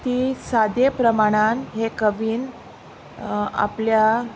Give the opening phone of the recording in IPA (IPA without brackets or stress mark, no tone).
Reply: t̪